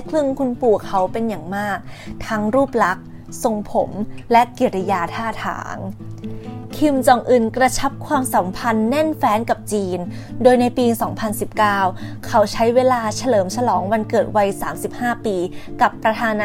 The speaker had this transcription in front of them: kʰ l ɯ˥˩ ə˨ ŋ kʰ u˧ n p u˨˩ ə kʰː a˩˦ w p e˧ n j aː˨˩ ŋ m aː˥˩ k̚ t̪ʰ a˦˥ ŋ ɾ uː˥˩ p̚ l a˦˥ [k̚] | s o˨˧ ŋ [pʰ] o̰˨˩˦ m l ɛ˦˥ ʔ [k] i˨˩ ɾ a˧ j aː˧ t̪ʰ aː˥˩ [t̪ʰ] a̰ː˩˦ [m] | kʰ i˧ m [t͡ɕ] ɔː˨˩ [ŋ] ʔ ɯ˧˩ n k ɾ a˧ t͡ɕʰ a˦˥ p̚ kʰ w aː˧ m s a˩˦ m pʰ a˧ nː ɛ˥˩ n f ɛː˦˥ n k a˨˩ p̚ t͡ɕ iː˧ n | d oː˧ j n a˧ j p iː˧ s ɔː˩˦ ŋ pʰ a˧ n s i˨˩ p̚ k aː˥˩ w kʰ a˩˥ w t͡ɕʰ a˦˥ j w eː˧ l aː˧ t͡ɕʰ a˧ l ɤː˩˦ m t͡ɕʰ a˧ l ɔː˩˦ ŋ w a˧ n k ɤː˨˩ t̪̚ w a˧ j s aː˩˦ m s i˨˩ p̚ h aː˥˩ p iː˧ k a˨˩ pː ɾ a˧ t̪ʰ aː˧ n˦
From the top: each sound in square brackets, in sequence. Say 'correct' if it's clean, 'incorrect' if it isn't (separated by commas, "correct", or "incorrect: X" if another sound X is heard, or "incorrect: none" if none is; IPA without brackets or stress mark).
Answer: correct, correct, correct, correct, incorrect: ŋ, correct, correct